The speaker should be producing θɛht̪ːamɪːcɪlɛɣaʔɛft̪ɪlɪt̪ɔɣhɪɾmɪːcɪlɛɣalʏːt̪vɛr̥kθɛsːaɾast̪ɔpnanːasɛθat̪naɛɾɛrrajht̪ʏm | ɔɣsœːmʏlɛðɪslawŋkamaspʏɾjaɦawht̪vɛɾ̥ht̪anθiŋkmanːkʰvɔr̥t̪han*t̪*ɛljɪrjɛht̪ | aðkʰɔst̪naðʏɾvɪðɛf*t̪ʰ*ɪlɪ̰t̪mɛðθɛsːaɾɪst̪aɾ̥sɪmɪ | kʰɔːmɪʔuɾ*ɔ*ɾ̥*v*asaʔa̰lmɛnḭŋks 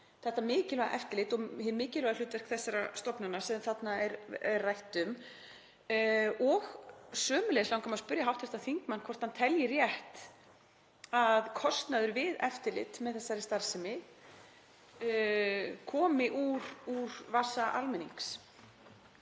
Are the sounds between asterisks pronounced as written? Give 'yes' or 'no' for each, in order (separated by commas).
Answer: no, no, no, yes